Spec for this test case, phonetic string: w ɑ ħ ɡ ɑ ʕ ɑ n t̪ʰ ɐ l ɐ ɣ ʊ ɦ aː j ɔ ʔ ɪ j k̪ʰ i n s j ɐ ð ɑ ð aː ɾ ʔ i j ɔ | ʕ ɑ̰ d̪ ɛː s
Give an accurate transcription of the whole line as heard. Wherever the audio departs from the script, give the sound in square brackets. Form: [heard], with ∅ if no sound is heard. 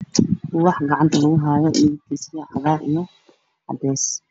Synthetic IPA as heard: w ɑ ħ ɡ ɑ ʕ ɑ n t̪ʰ ɐ l ɐ ɣ ʊ ɦ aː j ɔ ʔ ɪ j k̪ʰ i [∅] s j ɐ [ʕ] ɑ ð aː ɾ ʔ i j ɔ | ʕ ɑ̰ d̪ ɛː s